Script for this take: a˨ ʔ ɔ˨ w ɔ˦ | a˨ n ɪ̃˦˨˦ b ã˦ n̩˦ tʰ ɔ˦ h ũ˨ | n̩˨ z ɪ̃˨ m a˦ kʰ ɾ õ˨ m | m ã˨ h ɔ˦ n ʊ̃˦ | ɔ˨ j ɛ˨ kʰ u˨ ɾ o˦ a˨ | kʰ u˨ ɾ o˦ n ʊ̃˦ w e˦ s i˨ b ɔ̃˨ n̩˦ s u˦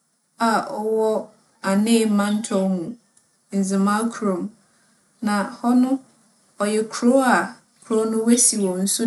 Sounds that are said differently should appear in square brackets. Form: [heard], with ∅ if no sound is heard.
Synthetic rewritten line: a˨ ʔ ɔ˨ w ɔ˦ | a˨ n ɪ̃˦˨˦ [m] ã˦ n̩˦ tʰ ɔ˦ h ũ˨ | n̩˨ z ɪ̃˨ m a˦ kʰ ɾ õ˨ m | [n] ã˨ h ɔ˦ n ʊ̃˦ | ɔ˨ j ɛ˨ kʰ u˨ ɾ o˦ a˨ | kʰ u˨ ɾ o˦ n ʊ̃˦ w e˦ s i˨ [w] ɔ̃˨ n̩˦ s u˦